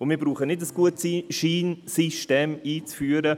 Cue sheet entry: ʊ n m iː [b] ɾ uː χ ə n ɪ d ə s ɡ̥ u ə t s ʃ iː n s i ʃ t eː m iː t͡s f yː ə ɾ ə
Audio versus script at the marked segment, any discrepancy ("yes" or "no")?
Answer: no